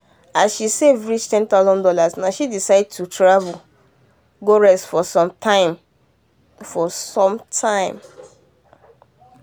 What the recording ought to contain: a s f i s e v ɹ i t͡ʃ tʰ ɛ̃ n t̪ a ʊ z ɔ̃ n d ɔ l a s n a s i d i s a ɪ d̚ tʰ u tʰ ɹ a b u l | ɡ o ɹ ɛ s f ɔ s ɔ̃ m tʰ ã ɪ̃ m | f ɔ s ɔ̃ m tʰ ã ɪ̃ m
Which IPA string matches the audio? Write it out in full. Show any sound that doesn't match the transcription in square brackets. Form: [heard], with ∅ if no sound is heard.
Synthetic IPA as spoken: a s [ʃ] i s e v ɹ i t͡ʃ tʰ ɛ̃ n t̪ a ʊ z ɔ̃ n d ɔ l a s n a [ʃ] i d i s a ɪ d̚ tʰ u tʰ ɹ a [v] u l | ɡ o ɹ ɛ s f ɔ s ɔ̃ m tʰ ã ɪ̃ m | f ɔ s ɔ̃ m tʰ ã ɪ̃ m

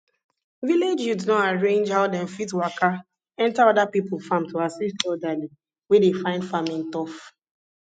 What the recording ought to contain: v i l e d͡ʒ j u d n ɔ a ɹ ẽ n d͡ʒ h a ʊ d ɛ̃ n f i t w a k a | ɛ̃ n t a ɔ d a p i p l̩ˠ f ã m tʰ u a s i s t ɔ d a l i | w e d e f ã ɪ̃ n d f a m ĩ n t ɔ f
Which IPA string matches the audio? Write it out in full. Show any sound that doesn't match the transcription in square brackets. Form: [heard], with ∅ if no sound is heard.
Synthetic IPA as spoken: v i l e d͡ʒ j u d n ɔ a ɹ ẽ n d͡ʒ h a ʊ d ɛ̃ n f i t w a k a | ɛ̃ n t a ɔ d a p i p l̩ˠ f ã m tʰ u a s i s t ɔ d a l i | w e d e f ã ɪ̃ n d f a m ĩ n t ɔ f

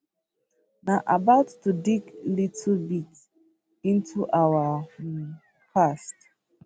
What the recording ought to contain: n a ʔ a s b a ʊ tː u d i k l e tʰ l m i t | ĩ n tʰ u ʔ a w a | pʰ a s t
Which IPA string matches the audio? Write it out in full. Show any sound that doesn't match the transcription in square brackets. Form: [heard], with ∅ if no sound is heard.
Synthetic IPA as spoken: n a ʔ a [∅] b a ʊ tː u d i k l [i] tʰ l [b] i t | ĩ n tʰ u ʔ a w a | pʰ a s t

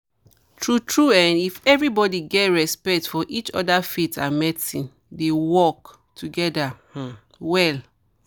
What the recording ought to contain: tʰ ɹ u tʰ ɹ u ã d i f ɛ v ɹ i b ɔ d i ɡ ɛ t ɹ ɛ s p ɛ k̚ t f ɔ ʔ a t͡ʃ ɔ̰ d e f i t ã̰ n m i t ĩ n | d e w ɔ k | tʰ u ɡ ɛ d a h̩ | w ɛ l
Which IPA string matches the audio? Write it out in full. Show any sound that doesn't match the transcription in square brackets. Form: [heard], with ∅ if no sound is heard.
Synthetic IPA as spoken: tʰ ɹ u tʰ ɹ u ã [n] i f ɛ v ɹ i b ɔ d i ɡ ɛ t ɹ ɛ s p ɛ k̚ t f ɔ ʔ [i] t͡ʃ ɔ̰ d [a] f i t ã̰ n m [ɛ] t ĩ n | d e w ɔ k | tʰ u ɡ ɛ d a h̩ | w ɛ l

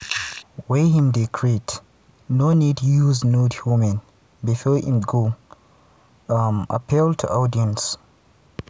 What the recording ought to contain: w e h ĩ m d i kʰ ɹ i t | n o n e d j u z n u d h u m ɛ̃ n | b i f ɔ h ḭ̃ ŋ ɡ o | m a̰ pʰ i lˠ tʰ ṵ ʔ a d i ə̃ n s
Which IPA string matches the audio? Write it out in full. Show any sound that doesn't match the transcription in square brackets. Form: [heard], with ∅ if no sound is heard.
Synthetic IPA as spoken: w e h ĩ m d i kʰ ɹ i t | n o n [i] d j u z n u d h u m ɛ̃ n | b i f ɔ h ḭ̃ [m] ɡ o | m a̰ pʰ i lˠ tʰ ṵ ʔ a d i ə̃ n s

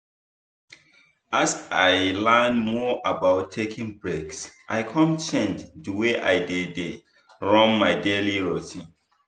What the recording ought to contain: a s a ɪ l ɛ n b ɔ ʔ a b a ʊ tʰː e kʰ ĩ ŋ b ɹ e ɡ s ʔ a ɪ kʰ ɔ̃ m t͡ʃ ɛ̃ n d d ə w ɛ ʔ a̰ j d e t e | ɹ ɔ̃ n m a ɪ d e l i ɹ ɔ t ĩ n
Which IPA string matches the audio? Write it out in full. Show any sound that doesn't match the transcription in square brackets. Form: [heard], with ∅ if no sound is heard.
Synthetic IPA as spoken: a s a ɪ l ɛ n [m] ɔ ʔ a b a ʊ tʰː e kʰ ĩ ŋ b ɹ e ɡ s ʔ a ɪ kʰ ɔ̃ m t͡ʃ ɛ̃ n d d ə w [e] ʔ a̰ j d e [d] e | ɹ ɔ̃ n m a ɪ d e l i ɹ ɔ t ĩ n

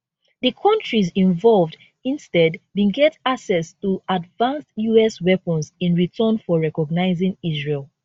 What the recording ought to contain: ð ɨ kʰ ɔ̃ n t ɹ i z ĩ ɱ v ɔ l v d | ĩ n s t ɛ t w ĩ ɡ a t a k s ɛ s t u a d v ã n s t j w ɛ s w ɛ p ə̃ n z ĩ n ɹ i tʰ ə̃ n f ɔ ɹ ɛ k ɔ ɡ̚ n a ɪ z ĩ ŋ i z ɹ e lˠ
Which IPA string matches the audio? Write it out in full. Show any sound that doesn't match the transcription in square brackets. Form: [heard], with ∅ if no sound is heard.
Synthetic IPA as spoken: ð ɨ kʰ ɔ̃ n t ɹ i z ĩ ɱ v ɔ l v d | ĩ n s t ɛ [d] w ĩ ɡ [ɛ] t a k s ɛ s t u a d v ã n s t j [u] ɛ s w ɛ p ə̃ n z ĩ n ɹ i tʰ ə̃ n f ɔ ɹ ɛ k ɔ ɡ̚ n a ɪ z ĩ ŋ i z ɹ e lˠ

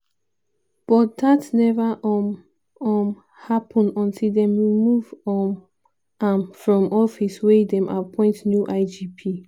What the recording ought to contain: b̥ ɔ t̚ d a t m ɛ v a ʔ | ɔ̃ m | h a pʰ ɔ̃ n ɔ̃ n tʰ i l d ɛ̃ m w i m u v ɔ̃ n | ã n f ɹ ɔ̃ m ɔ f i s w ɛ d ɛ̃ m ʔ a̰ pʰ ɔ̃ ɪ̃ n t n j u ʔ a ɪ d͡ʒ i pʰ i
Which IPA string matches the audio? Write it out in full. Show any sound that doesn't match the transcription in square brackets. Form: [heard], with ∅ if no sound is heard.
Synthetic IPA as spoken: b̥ ɔ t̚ d a t [n] ɛ v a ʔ | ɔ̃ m | h a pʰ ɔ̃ n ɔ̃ n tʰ i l d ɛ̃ m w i m u v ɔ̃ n | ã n f ɹ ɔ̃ m ɔ f i s w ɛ d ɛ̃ m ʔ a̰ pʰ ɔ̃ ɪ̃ n t n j u ʔ a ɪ d͡ʒ i pʰ i

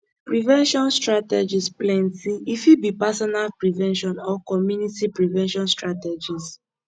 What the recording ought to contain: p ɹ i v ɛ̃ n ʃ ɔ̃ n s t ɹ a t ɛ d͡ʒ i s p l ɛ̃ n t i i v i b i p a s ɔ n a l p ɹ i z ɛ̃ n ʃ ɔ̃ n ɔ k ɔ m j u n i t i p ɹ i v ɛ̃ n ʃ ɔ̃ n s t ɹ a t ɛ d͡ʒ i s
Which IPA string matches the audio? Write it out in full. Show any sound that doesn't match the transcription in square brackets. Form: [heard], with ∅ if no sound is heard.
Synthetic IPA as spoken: p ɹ i v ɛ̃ n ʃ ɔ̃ n s t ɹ a t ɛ d͡ʒ i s p l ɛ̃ n t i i [f] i b i p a s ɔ n a l p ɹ i [v] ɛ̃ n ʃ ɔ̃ n ɔ k ɔ m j u n i t i p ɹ i v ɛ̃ n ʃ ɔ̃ n s t ɹ a t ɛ d͡ʒ i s

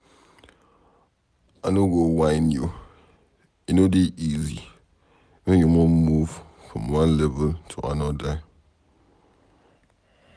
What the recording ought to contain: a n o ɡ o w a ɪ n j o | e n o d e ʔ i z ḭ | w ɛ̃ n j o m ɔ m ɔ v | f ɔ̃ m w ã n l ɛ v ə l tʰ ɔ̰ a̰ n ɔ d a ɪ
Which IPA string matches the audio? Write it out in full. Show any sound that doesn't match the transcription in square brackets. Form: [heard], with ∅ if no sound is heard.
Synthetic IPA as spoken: a n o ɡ o w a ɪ n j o | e n o d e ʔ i z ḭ | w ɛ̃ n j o m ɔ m [u] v | f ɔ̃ m w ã n l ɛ v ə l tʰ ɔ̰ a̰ n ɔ d a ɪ

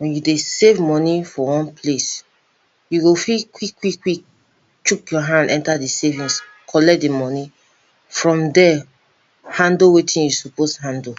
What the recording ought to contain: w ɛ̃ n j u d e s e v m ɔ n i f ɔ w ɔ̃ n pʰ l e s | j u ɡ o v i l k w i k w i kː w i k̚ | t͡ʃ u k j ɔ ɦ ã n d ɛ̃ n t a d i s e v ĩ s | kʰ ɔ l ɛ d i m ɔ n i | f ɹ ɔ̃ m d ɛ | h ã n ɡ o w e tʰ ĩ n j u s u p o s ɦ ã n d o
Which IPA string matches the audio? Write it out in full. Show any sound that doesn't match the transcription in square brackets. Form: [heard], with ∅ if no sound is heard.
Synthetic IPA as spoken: w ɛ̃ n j u d e s e v m ɔ n i f ɔ w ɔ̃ n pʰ l e s | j u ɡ o [f] i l k w i k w i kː w i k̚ | t͡ʃ u k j ɔ ɦ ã n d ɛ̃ n t a d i s e v ĩ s | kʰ ɔ l ɛ d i m ɔ n i | f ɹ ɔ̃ m d ɛ | h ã n [d] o w e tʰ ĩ n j u s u p o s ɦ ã n d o

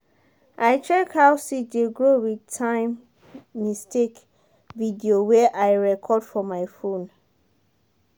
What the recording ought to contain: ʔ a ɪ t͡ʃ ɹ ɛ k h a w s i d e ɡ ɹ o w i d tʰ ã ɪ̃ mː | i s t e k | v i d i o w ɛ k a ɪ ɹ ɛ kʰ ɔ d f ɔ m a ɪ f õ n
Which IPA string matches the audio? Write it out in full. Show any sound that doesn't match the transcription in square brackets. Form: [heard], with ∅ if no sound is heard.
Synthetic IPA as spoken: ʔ a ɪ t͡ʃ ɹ ɛ k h a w s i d e ɡ ɹ o w i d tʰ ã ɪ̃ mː | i s t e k | v i d i o w ɛ [ʔ] a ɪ ɹ ɛ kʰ ɔ d f ɔ m a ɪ f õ n

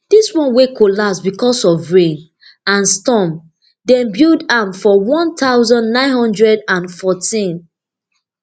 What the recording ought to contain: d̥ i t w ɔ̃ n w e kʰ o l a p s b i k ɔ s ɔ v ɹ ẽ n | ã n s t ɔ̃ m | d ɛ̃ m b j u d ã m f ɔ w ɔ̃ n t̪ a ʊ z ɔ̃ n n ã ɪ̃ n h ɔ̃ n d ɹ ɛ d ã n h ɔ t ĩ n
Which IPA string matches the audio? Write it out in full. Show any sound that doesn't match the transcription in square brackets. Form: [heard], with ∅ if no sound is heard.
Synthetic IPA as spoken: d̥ i [s] w ɔ̃ n w e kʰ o l a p s b i k ɔ s ɔ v ɹ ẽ n | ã n s t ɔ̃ m | d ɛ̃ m b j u d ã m f ɔ w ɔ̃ n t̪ a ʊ z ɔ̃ n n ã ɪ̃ n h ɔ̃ n d ɹ ɛ d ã n [f] ɔ t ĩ n

